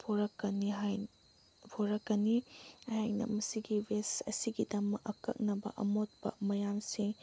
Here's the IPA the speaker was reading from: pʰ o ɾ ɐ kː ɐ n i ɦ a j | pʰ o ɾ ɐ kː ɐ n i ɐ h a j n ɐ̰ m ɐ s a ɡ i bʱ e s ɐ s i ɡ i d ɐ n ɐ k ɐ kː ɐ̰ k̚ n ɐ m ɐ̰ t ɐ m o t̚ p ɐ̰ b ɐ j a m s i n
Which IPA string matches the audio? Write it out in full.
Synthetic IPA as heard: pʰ o ɾ ɐ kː ɐ n i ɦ a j | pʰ o ɾ ɐ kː ɐ n i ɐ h a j n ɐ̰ m ɐ s i ɡ i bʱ e s ɐ s i ɡ i d ɐ m ɐ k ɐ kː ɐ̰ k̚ n ɐ b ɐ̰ ʔ ɐ m o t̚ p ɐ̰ m ɐ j a m s i ŋ